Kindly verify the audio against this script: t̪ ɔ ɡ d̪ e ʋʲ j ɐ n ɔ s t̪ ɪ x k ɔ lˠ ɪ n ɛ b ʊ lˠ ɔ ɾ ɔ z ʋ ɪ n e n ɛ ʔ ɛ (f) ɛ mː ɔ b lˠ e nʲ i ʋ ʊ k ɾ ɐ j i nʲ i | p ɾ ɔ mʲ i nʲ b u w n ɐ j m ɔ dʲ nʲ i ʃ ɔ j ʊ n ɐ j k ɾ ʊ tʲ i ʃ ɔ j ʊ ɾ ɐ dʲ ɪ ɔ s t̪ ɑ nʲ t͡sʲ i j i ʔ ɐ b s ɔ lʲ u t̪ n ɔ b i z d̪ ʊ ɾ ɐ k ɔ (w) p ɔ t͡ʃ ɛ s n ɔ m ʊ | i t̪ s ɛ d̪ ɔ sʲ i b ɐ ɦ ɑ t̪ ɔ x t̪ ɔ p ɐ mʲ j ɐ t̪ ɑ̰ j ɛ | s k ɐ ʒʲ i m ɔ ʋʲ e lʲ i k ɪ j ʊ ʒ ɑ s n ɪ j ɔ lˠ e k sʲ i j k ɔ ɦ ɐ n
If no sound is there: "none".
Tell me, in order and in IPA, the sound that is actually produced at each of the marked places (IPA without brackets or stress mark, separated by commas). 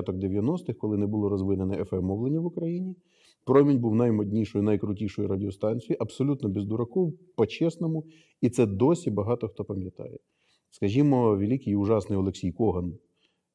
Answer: f, w